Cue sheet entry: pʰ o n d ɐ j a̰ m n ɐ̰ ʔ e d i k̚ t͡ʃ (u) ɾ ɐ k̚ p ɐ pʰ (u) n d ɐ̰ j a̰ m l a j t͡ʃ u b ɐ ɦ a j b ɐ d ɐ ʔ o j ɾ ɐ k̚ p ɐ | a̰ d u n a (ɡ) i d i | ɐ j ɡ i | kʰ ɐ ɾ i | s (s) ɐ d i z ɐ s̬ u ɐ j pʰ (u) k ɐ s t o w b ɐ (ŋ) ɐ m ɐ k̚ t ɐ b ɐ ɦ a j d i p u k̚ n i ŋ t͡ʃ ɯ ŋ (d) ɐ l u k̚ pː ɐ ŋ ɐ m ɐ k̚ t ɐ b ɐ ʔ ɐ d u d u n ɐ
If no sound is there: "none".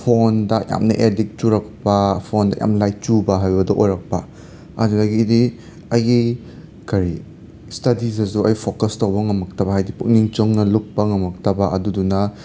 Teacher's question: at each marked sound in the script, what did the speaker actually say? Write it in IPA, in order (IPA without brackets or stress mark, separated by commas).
u, o, ɡ, t, o, ŋ, n